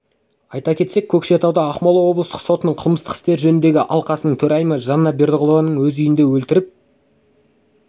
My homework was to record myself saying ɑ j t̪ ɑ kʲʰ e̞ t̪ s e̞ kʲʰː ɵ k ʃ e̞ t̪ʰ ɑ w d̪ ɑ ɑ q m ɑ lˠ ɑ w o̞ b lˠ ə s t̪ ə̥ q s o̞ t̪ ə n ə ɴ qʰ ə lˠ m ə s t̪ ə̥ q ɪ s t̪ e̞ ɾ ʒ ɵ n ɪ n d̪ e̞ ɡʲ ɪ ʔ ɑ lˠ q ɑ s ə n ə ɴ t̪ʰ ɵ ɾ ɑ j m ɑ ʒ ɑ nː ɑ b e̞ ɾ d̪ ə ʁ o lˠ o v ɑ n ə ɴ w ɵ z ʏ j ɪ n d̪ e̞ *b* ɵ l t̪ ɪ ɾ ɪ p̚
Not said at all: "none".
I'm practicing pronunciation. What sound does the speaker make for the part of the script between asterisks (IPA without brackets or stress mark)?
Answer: w